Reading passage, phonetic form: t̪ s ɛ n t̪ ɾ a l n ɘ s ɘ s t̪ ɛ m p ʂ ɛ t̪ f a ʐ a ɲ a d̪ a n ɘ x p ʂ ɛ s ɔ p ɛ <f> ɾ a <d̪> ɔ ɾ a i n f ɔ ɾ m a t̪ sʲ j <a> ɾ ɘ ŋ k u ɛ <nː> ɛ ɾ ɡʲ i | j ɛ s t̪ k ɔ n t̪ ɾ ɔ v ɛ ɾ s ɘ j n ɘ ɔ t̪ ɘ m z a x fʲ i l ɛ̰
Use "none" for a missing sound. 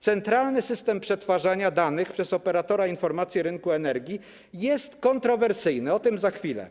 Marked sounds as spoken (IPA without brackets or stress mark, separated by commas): none, t̪, ɛ, n